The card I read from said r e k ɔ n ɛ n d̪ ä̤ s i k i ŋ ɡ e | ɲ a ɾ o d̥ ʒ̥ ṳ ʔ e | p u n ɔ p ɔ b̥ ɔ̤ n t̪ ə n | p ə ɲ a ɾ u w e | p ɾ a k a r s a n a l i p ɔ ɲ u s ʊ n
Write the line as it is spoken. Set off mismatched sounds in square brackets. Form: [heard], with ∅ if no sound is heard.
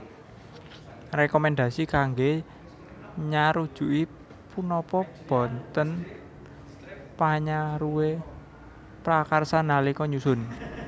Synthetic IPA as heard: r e k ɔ [m] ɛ n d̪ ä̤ s i k [a] ŋ ɡ e | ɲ a ɾ [u] d̥ ʒ̥ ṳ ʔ [i] | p u n ɔ p ɔ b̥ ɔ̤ n t̪ ə n | p [a] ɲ a ɾ u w e | p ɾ a k a r s a n a l i [k] ɔ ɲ u s ʊ n